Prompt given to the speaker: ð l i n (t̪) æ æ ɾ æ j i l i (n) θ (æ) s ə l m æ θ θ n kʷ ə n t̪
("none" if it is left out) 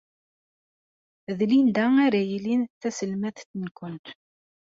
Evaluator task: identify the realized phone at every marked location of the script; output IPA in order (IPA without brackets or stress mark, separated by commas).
d̪, n, æ